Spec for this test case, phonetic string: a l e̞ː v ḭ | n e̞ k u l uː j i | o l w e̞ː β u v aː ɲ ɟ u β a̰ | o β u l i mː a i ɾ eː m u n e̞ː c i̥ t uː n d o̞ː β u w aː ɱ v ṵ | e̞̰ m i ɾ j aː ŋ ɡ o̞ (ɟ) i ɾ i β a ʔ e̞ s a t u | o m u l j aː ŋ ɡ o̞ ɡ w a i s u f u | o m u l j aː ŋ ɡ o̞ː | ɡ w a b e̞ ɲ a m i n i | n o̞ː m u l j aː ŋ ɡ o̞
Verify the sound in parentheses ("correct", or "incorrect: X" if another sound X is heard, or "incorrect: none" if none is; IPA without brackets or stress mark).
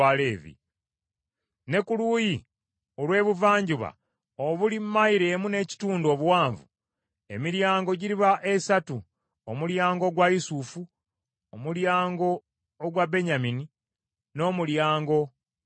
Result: correct